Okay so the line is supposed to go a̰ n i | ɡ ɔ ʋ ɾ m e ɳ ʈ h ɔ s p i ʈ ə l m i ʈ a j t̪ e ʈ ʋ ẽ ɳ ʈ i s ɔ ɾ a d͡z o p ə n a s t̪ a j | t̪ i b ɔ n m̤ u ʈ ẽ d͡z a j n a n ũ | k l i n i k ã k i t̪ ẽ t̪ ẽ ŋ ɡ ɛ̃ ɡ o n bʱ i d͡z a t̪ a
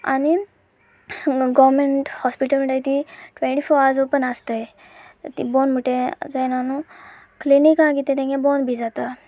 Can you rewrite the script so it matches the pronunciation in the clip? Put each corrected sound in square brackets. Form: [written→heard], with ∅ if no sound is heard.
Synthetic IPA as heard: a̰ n i | ɡ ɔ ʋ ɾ m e ɳ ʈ h ɔ s p i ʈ ə l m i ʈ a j t̪ [e→i] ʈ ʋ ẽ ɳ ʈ i [s→f] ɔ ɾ a d͡z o p ə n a s t̪ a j | t̪ i b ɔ n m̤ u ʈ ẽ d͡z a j n a n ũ | k l i n i k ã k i t̪ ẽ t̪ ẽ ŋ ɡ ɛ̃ [ɡ→b] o n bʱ i d͡z a t̪ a